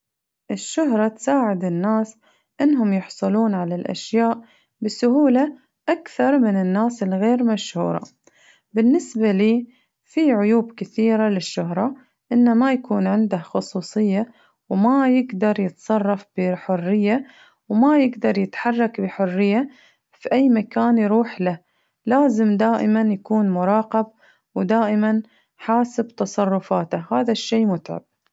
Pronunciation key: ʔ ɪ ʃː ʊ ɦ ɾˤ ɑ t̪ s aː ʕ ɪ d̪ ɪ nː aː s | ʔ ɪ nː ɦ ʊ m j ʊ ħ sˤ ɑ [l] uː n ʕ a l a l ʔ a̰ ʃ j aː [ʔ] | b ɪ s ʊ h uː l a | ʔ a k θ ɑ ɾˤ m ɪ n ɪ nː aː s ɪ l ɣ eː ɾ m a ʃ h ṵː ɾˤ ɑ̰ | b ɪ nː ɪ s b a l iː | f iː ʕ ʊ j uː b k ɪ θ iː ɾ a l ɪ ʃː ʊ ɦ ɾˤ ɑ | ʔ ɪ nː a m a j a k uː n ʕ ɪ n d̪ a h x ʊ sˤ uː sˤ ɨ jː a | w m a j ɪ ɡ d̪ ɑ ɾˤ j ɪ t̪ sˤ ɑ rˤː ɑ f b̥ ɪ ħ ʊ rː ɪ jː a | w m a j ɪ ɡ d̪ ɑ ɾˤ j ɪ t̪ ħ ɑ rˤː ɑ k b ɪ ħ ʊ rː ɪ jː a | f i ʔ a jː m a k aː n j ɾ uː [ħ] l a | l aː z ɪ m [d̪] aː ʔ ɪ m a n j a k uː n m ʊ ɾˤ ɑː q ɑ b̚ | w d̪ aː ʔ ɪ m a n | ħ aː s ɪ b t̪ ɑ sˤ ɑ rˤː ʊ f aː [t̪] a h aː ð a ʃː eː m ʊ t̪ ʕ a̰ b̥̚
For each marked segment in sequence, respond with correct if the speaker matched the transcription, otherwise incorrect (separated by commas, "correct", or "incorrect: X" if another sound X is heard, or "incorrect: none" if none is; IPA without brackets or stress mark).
correct, correct, correct, correct, correct